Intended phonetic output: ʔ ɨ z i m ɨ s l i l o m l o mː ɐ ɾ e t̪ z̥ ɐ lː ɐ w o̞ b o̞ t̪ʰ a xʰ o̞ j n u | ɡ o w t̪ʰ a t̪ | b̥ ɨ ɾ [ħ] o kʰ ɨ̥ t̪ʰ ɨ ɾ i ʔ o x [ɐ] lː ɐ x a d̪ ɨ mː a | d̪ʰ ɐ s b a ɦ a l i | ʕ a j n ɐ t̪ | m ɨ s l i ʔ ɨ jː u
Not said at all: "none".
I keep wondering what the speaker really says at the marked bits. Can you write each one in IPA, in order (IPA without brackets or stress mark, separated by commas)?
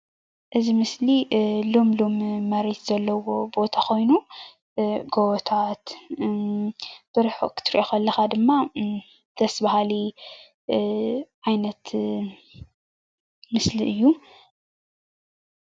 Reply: ħ, ɐ